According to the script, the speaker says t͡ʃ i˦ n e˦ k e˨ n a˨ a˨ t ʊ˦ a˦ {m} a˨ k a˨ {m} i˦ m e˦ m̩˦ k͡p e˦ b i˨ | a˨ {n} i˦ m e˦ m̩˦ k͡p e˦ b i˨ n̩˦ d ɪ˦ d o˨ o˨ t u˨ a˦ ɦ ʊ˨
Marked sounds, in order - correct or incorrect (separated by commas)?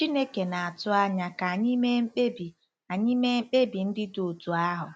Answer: incorrect, incorrect, incorrect